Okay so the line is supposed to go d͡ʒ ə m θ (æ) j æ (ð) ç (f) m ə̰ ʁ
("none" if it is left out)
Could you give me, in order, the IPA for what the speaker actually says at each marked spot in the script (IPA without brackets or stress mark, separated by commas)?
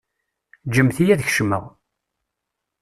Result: i, ð, ʃ